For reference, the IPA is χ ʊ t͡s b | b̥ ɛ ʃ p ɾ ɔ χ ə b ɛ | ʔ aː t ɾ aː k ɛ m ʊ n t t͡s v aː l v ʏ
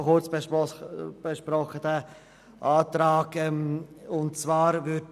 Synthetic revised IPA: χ ʊ t͡s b | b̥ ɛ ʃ p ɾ ɔ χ ə d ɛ | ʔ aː t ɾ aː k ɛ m ʊ n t t͡s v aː ɾ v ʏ